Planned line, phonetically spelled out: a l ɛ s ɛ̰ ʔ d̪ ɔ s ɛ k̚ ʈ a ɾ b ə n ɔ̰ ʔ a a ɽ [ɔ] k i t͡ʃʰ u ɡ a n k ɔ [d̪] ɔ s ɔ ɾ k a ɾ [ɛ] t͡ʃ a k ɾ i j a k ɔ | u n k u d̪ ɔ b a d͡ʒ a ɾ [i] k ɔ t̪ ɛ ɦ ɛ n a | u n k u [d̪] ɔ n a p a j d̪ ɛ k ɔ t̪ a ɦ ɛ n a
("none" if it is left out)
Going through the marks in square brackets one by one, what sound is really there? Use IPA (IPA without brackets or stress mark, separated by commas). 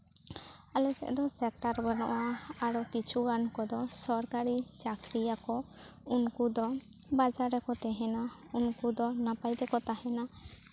ɔ, d̪, i, ɛ, d̪